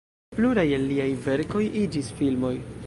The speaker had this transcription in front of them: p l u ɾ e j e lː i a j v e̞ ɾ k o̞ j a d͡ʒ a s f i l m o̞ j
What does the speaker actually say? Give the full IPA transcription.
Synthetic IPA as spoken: p l u ɾ a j e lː i a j v e̞ ɾ k o̞ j i d͡ʒ i s f i l m o̞ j